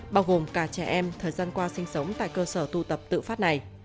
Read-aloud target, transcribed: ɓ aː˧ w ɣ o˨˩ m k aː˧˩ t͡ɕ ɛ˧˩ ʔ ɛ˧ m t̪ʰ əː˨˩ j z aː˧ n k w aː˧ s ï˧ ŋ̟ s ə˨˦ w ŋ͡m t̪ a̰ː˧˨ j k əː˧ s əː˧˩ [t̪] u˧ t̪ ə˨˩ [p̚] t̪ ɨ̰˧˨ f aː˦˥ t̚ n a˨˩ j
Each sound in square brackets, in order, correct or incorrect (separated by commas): correct, correct